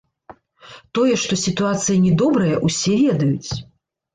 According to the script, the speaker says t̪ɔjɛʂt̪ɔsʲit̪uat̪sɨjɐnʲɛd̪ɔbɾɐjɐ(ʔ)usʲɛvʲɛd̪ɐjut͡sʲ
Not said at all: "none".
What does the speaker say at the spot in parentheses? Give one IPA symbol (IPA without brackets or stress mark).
ʔ